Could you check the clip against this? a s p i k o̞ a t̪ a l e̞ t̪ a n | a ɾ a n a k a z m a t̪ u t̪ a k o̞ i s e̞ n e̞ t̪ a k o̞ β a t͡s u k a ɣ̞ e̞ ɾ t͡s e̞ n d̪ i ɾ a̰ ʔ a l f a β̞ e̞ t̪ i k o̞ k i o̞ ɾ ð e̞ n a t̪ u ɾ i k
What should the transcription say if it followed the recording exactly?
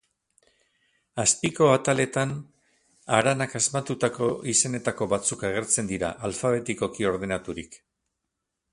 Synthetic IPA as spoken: a s p i k o̞ a t̪ a l e̞ t̪ a n | a ɾ a n a k a z m a t̪ u t̪ a k o̞ i s e̞ n e̞ t̪ a k o̞ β a t͡s u k a ɣ̞ e̞ ɾ t͡s e̞ n d̪ i ɾ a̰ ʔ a l f a β̞ e̞ t̪ i k o̞ k i o̞ ɾ ð e̞ n a t̪ u ɾ i k